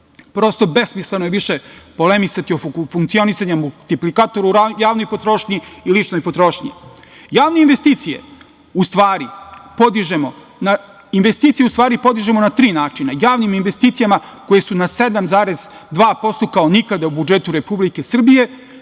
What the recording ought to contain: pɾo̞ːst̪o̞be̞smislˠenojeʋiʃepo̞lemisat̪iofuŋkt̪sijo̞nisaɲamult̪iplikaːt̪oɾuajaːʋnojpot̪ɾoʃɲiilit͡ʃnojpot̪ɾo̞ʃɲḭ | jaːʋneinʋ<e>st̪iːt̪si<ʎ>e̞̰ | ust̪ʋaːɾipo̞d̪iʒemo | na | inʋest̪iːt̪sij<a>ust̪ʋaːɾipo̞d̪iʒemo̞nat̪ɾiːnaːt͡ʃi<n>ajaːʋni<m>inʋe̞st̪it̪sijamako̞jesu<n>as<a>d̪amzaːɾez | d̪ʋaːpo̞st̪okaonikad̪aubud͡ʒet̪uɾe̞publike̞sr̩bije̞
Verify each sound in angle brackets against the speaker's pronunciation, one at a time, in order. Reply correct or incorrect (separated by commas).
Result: correct, incorrect, incorrect, correct, correct, correct, incorrect